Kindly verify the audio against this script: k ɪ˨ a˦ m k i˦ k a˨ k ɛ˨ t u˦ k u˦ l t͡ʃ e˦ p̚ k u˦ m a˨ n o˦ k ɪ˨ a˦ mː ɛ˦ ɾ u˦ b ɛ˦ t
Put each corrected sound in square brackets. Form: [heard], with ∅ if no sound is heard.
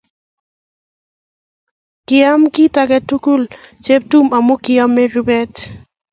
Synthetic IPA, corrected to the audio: k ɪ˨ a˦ m k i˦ [t] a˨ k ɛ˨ t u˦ k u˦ l t͡ʃ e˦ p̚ [t] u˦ m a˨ [m] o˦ k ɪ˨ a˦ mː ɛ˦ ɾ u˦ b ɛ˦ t